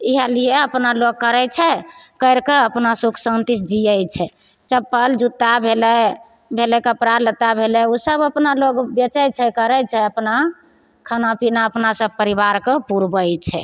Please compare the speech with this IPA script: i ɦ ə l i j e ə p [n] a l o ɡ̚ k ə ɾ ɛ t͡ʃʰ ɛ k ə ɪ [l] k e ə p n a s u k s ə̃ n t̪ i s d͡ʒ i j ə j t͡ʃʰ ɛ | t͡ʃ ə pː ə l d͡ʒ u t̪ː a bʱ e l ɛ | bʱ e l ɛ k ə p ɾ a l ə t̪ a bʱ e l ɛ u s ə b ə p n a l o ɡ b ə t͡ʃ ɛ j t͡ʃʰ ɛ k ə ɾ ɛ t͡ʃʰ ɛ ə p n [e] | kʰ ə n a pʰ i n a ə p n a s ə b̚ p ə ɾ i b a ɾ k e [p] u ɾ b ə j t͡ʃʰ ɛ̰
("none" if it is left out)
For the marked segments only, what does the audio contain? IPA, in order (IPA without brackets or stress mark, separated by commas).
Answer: n, ɾ, a, p